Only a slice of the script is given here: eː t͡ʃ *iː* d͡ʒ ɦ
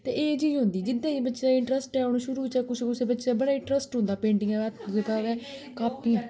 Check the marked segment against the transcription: correct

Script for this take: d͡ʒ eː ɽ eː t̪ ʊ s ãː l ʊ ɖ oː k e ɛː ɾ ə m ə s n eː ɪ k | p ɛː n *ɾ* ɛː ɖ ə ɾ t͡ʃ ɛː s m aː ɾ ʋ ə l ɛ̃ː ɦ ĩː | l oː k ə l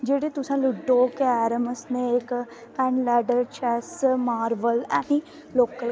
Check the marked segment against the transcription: incorrect: l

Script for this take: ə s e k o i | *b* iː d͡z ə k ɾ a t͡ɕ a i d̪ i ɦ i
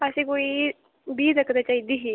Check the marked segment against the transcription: correct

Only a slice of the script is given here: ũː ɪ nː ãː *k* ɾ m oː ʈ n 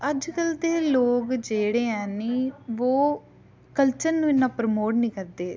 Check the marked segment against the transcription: incorrect: p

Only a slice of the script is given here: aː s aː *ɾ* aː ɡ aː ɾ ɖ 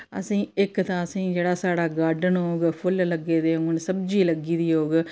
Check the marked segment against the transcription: incorrect: ɽ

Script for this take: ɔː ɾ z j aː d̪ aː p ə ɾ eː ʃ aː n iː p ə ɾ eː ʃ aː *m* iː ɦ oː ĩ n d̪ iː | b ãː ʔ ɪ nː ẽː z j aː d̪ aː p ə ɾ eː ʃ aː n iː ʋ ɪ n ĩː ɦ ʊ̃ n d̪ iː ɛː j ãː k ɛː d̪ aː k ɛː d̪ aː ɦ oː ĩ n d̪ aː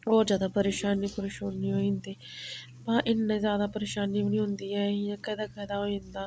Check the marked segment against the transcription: incorrect: n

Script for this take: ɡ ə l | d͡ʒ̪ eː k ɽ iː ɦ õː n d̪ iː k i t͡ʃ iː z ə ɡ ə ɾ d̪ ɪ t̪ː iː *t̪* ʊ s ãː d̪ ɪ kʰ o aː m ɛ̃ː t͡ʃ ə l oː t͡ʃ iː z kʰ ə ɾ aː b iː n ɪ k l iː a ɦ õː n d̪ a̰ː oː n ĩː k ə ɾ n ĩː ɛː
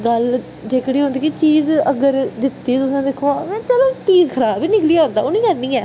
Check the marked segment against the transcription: correct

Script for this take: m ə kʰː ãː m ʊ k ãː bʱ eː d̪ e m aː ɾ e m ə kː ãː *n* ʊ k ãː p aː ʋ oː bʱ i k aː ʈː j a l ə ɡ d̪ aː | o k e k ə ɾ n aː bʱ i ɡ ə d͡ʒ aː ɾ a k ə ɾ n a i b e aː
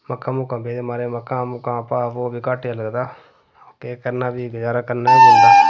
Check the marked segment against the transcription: incorrect: m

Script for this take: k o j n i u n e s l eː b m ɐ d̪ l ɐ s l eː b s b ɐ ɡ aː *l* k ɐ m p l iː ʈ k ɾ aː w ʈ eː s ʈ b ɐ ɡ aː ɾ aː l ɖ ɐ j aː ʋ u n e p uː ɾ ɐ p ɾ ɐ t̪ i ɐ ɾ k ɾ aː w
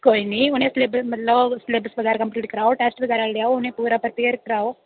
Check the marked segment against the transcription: incorrect: ɾ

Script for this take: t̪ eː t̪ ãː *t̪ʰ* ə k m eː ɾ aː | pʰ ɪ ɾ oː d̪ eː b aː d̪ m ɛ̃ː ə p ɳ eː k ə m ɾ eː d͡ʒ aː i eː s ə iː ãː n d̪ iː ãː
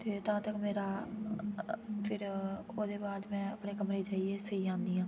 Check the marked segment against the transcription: incorrect: t̪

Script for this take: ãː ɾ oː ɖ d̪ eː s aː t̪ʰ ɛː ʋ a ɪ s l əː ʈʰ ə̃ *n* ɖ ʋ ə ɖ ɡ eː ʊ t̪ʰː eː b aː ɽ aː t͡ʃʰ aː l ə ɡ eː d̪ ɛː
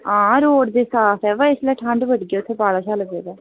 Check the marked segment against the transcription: incorrect: ɳ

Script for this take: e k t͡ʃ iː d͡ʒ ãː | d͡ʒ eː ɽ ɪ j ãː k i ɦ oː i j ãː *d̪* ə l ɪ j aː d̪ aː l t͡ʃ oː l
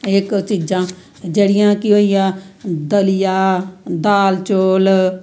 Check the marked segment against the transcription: correct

